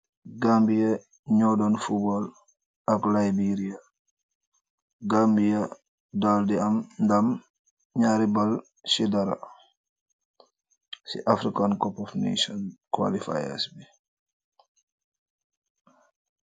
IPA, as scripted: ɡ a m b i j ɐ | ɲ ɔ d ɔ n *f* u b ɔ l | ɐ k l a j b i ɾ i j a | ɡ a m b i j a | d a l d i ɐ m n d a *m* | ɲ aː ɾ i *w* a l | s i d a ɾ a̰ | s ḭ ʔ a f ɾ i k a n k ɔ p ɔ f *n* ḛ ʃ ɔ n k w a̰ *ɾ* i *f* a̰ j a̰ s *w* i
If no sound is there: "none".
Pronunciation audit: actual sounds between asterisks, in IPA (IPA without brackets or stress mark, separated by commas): f, m, b, n, l, f, b